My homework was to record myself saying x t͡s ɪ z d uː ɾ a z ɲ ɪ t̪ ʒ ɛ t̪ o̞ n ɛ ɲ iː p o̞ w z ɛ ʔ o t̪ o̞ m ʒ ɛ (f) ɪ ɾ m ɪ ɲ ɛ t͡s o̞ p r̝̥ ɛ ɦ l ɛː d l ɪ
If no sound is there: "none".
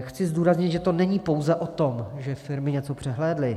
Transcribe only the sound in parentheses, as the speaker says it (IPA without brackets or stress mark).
f